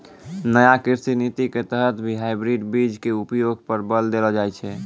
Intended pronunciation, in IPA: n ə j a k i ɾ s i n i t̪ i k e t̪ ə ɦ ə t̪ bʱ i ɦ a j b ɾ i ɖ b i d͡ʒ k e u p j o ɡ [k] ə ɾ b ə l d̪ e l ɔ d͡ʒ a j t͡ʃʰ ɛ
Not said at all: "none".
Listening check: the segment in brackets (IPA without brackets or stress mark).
p